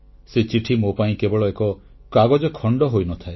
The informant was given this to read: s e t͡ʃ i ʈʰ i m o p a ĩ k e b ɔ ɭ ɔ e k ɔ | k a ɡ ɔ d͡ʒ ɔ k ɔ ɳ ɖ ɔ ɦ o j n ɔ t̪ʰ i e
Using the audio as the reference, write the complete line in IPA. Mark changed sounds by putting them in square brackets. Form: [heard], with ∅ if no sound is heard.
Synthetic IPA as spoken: s e t͡ʃ i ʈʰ i m o p a ĩ k e b ɔ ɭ ɔ e k ɔ | k a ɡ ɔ d͡ʒ ɔ [kʰ] ɔ ɳ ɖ ɔ ɦ o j n ɔ t̪ʰ [a] e

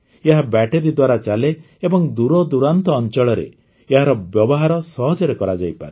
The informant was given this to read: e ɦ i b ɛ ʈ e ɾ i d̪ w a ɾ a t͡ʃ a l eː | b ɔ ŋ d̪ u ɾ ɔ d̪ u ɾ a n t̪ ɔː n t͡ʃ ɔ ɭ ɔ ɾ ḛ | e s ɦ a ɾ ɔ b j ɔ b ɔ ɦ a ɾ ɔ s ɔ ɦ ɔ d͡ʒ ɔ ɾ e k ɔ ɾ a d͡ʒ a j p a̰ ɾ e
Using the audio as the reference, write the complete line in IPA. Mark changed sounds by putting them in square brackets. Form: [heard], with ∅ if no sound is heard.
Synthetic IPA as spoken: e ɦ [a] b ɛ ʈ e ɾ i d̪ w a ɾ a t͡ʃ a l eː | b ɔ ŋ d̪ u ɾ ɔ d̪ u ɾ a n t̪ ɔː n t͡ʃ ɔ ɭ ɔ ɾ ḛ | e [∅] ɦ a ɾ ɔ b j ɔ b ɔ ɦ a ɾ ɔ s ɔ ɦ ɔ d͡ʒ ɔ ɾ e k ɔ ɾ a d͡ʒ a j p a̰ ɾ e

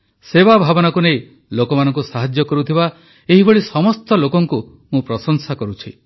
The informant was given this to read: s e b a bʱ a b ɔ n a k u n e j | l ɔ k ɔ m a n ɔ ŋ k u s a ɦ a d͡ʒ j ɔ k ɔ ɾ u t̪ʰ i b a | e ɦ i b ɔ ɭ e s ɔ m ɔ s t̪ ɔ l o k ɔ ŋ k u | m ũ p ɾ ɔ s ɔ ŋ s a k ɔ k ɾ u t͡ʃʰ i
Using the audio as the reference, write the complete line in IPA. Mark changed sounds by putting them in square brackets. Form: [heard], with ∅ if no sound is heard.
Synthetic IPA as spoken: s e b a bʱ a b ɔ n a k u n e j | l [o] k ɔ m a n ɔ ŋ k u s a ɦ a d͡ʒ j ɔ k ɔ ɾ u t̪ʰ i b a | e ɦ i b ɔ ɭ [i] s ɔ m ɔ s t̪ ɔ l o k ɔ ŋ k u | m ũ p ɾ ɔ s ɔ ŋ s a k ɔ [∅] ɾ u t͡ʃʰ i

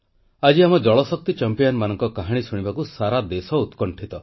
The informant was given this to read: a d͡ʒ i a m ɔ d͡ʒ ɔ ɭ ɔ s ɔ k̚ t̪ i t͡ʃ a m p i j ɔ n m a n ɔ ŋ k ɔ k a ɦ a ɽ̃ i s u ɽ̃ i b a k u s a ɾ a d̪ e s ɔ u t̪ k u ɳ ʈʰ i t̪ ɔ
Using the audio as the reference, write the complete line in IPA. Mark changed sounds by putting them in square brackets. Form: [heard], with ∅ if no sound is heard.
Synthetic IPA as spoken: a d͡ʒ i a m ɔ d͡ʒ ɔ ɭ ɔ s ɔ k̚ t̪ i t͡ʃ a m p i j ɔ n m a n ɔ ŋ k ɔ k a ɦ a ɽ̃ i s u ɽ̃ i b a k u s a ɾ a d̪ e s ɔ u t̪ k [ɔ] ɳ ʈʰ i t̪ ɔ

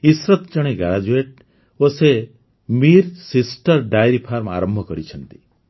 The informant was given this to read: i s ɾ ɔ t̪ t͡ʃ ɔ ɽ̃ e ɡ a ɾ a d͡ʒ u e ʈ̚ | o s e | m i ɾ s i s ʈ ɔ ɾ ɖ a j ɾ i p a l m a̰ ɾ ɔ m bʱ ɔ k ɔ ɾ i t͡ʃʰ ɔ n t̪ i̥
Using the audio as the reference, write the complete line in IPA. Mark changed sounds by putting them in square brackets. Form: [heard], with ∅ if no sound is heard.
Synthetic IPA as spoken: i s ɾ ɔ t̪ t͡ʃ ɔ ɽ̃ e ɡ a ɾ a d͡ʒ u e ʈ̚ | o s e | m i ɾ s i s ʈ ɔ ɾ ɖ a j ɾ i [pʰ] a [ɾ] m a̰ ɾ ɔ m bʱ ɔ k ɔ ɾ i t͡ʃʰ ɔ n t̪ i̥

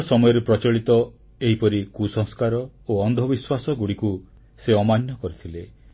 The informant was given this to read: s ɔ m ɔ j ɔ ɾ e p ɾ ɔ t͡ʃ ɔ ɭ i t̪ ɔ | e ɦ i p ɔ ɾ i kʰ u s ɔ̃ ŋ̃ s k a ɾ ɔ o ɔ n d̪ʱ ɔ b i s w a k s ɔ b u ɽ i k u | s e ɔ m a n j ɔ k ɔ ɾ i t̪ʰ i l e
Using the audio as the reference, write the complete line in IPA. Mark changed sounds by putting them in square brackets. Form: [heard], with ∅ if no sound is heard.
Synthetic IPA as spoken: s ɔ m ɔ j ɔ ɾ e p ɾ ɔ t͡ʃ ɔ ɭ i t̪ ɔ | e ɦ i p ɔ ɾ i [k] u s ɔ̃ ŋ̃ s k a ɾ ɔ o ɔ n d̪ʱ ɔ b i s w a [∅] s ɔ [ɡ] u ɽ i k u | s e ɔ m a n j ɔ k ɔ ɾ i t̪ʰ i l e

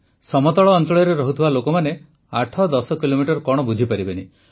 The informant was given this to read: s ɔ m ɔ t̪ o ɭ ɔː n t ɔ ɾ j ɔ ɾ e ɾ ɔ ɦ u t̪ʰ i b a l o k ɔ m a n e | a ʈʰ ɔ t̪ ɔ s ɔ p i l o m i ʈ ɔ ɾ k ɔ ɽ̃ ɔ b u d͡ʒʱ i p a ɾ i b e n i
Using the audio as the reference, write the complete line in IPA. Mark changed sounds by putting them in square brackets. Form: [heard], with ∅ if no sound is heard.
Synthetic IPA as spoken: s ɔ m ɔ t̪ [ɔ] ɭ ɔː n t ɔ [ɭ] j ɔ ɾ e ɾ ɔ ɦ u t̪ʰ i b a l o k ɔ m a n e | a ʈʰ ɔ [d̪] ɔ s ɔ [k] i l o m i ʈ ɔ ɾ k ɔ ɽ̃ ɔ b u d͡ʒʱ i p a ɾ i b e n i

